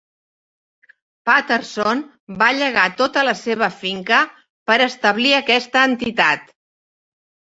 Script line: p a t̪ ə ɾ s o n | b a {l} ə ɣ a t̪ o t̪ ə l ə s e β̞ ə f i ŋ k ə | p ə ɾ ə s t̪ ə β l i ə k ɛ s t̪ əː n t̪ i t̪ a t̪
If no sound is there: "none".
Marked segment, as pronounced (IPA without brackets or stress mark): ʎ